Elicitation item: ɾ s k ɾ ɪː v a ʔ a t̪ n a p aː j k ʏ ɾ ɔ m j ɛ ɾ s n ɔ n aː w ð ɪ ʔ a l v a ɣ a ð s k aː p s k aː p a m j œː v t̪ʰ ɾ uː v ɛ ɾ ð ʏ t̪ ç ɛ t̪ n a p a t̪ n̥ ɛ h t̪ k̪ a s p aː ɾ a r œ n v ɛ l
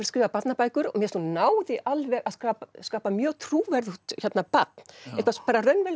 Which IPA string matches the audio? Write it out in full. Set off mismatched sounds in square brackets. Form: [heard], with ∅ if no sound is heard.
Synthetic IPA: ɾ s k ɾ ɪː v a [p] a t̪ n a p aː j k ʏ ɾ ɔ m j ɛ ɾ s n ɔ n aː w ð ɪ ʔ a l v [ɛ] ɣ a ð s k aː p s k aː p a m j œː [ɣ] t̪ʰ ɾ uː v ɛ ɾ ð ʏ t̪ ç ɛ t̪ n a p a t̪ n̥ ɛ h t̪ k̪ a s p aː ɾ a r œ n v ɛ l